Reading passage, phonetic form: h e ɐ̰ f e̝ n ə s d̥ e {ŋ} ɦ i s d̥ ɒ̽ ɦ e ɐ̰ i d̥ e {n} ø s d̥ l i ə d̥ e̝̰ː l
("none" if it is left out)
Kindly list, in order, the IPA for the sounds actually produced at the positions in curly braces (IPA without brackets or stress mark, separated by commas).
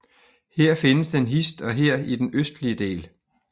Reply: n, n